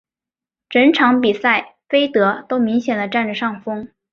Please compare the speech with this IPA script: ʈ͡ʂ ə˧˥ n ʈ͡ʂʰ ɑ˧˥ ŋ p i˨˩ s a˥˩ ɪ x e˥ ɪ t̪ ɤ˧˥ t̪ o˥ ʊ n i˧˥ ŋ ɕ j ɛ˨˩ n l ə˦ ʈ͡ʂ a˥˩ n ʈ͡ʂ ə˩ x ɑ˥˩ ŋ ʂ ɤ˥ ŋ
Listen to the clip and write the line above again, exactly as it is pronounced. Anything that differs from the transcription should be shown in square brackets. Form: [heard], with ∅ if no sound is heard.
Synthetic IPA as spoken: ʈ͡ʂ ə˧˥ n ʈ͡ʂʰ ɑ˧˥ ŋ p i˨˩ s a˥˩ ɪ [f] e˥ ɪ t̪ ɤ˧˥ t̪ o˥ ʊ [m] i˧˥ ŋ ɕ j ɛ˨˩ n l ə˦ ʈ͡ʂ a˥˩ n ʈ͡ʂ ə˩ [ʂ] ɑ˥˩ ŋ [f] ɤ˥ ŋ